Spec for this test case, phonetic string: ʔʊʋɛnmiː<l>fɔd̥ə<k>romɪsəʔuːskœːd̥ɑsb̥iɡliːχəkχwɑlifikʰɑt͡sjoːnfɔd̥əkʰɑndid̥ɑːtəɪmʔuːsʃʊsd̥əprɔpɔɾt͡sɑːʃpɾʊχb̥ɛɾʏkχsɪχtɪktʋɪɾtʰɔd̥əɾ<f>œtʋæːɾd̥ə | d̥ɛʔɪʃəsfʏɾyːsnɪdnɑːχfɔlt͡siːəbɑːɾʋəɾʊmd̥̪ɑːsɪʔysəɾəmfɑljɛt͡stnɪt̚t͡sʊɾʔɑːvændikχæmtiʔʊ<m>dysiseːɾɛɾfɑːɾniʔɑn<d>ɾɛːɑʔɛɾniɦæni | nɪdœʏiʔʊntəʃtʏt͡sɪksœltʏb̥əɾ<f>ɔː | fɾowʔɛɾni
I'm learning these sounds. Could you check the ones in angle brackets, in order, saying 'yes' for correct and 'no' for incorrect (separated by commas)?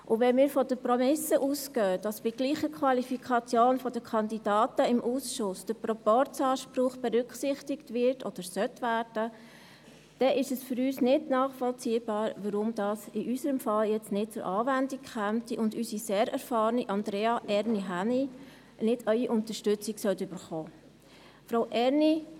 no, no, no, no, yes, no